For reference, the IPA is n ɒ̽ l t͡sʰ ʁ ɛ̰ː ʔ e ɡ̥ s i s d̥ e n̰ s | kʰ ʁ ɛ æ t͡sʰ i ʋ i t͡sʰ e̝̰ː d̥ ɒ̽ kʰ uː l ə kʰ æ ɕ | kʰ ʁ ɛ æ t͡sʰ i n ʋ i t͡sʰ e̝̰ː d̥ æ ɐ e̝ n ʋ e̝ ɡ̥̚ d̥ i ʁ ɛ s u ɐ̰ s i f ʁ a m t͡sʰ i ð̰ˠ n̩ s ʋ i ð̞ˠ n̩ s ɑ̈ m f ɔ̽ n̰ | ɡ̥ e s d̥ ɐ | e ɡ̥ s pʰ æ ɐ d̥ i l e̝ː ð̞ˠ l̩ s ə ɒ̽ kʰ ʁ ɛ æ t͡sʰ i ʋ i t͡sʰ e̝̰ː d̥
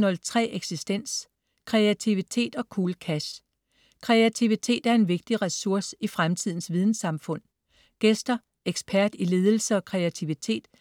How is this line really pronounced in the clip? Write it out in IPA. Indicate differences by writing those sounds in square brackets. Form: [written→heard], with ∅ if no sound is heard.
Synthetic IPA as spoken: n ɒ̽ l t͡sʰ ʁ ɛ̰ː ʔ e ɡ̥ s i s d̥ e n̰ s | kʰ ʁ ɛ æ t͡sʰ i ʋ i t͡sʰ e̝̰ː d̥ ɒ̽ kʰ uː l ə kʰ æ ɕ | kʰ ʁ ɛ æ t͡sʰ i [n→∅] ʋ i t͡sʰ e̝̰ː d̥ æ ɐ e̝ n ʋ e̝ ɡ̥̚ d̥ i ʁ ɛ s u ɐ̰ s i f ʁ a m t͡sʰ i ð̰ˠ n̩ s ʋ i ð̞ˠ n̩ s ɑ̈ m f ɔ̽ n̰ | ɡ̥ e s d̥ ɐ | e ɡ̥ s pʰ æ ɐ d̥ i l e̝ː ð̞ˠ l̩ s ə ɒ̽ kʰ ʁ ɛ æ t͡sʰ i ʋ i t͡sʰ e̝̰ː d̥